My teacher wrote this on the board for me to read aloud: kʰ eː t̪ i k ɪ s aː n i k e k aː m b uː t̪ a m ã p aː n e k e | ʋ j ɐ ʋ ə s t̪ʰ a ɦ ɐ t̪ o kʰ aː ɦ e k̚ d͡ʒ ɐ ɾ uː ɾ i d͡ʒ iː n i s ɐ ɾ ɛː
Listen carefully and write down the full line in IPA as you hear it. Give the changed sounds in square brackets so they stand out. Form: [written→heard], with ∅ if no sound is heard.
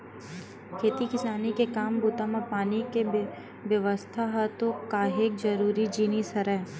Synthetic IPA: kʰ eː t̪ i k ɪ s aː n i k e k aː m b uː t̪ a m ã p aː n [e→i] k e | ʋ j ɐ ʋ ə s t̪ʰ a ɦ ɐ t̪ o [kʰ→k] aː ɦ e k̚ d͡ʒ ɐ ɾ uː ɾ i d͡ʒ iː n i s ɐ ɾ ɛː